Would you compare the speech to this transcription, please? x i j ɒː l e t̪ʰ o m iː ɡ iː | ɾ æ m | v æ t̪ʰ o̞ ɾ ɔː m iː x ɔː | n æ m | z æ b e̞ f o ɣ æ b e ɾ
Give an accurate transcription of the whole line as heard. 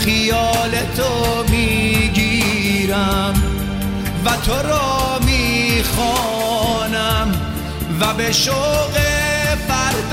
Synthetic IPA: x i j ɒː l e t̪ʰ o m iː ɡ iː | ɾ æ m | v æ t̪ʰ o̞ ɾ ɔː m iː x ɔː | n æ m | v æ b e̞ ʃ o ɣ e b æ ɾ